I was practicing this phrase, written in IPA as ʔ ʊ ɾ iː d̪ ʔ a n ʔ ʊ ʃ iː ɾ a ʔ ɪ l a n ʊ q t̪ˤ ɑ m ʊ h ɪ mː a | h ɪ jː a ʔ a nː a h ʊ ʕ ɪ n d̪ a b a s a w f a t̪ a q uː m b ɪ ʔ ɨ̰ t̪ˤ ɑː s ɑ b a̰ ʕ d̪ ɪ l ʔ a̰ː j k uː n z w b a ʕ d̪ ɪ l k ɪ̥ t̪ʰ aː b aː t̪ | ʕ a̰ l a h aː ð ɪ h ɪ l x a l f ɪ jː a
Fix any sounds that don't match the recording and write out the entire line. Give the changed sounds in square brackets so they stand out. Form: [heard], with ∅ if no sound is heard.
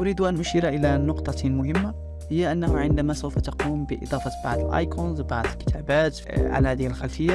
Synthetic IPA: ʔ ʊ ɾ iː d̪ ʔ a n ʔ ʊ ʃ iː ɾ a ʔ ɪ l a n ʊ q t̪ˤ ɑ m ʊ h ɪ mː a | h ɪ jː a ʔ a nː a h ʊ ʕ ɪ n d̪ a [m] a s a w f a t̪ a q uː m b ɪ ʔ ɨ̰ [d̪ˤ] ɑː [f] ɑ b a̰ ʕ d̪ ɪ l ʔ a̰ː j k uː n z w b a ʕ d̪ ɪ l k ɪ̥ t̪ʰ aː b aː t̪ | ʕ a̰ l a h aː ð ɪ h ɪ l x a l f ɪ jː a

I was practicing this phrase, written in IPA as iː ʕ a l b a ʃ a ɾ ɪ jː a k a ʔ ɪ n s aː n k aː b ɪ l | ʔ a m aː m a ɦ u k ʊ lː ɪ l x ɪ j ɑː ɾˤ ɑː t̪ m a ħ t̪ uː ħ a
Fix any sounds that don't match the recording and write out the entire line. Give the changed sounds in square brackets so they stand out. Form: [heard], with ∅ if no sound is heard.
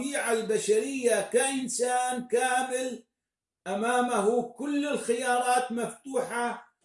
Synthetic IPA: iː ʕ a l b a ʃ a ɾ ɪ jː a k a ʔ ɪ n s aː n k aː [m] ɪ l | ʔ a m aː m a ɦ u k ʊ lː ɪ l x ɪ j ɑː ɾˤ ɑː t̪ m a [f] t̪ uː ħ a

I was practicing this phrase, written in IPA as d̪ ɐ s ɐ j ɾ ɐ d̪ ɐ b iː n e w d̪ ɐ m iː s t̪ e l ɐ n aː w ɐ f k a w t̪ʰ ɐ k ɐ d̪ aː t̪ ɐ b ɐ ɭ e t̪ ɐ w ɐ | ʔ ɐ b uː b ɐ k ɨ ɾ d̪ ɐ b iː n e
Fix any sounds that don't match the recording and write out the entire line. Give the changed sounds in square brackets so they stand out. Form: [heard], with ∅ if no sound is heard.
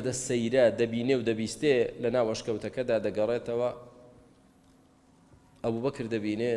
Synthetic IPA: d̪ ɐ s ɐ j ɾ ɐ d̪ ɐ b iː n e w d̪ ɐ [b] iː s t̪ e l ɐ n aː w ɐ [ʃ] k [ɐ] w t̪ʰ ɐ k ɐ d̪ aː [d̪] ɐ [ɡ] ɐ [r] e t̪ ɐ w ɐ | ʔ ɐ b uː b ɐ k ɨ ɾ d̪ ɐ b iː n e

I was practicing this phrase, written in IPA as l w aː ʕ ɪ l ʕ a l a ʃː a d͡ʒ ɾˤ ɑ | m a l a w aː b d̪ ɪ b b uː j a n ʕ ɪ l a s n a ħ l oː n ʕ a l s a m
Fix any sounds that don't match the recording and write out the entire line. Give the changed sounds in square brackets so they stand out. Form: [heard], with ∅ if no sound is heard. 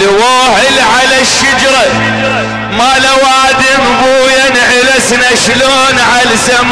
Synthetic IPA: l w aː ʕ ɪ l ʕ a l a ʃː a d͡ʒ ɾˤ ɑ | m a l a w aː [∅] d̪ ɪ [m] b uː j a n ʕ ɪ l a s n a [ʃ] l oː n ʕ a l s a m

